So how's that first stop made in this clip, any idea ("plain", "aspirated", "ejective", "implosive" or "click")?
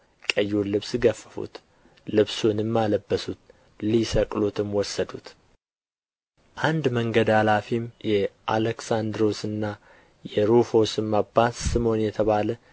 ejective